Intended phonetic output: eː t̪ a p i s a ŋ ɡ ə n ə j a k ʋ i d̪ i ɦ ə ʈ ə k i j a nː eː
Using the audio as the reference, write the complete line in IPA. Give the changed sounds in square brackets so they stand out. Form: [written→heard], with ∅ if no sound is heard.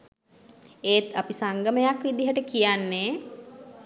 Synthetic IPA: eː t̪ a p i s a ŋ ɡ ə [n→m] ə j a k ʋ i d̪ i ɦ ə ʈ ə k i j a nː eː